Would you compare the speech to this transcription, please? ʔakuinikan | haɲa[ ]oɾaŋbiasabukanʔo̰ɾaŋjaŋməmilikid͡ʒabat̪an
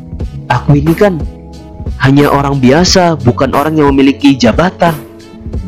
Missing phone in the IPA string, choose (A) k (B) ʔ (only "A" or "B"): B